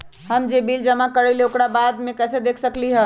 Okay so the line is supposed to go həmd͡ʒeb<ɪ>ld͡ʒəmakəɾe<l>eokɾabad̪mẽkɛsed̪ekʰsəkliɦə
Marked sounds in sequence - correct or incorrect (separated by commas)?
incorrect, correct